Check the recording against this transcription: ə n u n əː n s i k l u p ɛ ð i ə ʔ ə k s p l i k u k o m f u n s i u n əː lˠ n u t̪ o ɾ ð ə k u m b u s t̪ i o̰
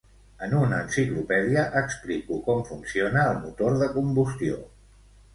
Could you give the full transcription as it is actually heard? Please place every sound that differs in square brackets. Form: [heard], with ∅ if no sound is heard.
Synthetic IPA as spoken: ə n u n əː n s i k l u p ɛ ð i ə ʔ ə k s p l i k u k [ɔ] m f u n s i [o] n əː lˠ [m] u t̪ o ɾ ð ə k u m b u s t̪ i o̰